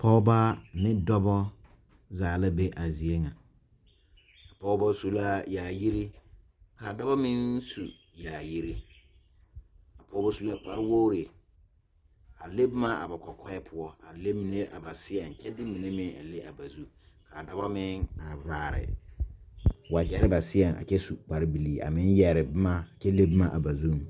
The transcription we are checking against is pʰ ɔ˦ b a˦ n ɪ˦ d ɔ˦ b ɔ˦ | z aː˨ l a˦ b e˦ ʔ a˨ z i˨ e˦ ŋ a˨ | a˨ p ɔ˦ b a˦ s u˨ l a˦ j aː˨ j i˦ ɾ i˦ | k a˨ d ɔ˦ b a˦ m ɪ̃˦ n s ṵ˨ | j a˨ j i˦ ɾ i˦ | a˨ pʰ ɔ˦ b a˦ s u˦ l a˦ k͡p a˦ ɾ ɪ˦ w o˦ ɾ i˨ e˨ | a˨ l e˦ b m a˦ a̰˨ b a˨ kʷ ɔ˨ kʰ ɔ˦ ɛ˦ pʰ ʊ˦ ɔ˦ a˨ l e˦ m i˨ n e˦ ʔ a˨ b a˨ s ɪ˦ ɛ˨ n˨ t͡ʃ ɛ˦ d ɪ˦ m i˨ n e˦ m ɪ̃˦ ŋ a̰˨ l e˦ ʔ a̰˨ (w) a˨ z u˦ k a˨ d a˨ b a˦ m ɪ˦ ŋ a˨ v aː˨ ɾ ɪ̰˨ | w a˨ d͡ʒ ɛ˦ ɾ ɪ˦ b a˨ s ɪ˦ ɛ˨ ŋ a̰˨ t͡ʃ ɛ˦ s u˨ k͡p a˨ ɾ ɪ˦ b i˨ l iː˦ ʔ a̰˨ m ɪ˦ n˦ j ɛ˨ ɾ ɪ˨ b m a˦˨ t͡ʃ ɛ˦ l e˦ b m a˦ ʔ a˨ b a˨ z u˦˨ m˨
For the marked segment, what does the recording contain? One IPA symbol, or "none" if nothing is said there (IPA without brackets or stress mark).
b